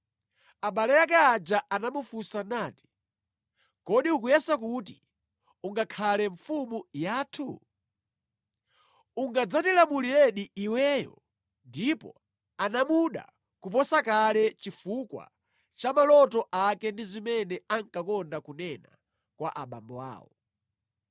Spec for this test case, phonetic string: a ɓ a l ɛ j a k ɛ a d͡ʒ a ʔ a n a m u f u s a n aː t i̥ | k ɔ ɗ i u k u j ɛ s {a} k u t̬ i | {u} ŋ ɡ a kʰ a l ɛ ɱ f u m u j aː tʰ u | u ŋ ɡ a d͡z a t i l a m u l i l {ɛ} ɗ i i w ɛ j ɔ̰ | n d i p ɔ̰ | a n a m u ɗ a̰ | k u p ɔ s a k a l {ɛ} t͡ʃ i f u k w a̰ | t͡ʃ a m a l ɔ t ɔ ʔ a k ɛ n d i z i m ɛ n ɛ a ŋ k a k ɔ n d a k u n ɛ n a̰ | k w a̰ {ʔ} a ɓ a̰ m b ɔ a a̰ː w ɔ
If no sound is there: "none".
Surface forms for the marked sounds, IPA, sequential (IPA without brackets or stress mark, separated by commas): a, u, ɛ, ɛ, ʔ